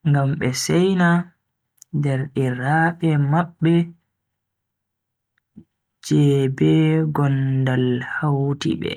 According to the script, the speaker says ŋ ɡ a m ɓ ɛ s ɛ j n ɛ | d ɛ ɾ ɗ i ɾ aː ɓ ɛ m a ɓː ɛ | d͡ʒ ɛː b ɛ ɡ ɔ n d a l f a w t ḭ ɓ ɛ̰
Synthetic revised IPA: ŋ ɡ a m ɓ ɛ s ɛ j n a | d ɛ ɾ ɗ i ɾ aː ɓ ɛ m a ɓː ɛ | d͡ʒ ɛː b ɛ ɡ ɔ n d a l h a w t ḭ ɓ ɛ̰